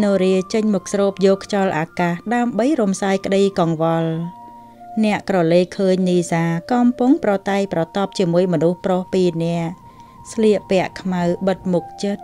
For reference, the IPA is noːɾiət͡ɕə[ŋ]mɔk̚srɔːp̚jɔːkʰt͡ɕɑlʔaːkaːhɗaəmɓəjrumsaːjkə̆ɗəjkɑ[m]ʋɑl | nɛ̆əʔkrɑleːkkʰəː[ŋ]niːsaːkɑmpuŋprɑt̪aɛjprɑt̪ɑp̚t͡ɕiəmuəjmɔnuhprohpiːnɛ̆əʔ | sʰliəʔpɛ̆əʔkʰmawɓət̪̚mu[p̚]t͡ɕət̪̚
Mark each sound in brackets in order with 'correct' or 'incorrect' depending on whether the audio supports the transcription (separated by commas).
incorrect, incorrect, incorrect, incorrect